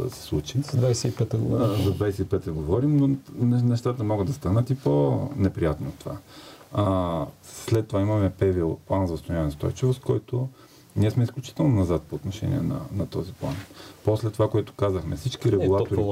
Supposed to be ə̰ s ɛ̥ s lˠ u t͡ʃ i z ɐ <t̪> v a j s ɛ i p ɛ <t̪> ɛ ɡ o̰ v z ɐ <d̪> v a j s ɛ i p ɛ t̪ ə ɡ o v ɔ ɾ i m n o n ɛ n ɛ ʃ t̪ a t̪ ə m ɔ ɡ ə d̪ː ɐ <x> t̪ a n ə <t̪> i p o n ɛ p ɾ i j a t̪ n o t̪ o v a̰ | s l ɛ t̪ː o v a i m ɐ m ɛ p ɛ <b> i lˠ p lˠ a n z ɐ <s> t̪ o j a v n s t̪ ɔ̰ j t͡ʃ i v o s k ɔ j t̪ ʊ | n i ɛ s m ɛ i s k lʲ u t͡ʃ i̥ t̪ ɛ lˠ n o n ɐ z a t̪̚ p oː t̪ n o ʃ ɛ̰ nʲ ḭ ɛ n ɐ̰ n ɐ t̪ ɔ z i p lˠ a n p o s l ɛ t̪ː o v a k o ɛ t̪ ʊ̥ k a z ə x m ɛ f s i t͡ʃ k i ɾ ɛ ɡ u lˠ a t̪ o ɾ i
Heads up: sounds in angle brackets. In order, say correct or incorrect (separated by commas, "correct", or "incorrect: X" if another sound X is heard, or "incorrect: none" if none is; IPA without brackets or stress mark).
incorrect: d̪, correct, correct, incorrect: s, correct, incorrect: v, correct